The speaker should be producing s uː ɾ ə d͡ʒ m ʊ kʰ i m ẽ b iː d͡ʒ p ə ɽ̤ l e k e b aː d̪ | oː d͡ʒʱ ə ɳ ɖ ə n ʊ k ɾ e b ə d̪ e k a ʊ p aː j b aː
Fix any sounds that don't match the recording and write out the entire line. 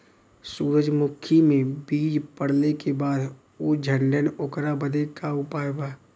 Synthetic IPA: s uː ɾ ə d͡ʒ m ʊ kʰ i m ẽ b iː d͡ʒ p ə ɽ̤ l e k e b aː d̪ | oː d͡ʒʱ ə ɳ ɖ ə n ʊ k ɾ a b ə d̪ e k a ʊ p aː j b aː